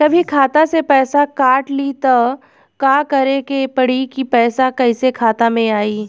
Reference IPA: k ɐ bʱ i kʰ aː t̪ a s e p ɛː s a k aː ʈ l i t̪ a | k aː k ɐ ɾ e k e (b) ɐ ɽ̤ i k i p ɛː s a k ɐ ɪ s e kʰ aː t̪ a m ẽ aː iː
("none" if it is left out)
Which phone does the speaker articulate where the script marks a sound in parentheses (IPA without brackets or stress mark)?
p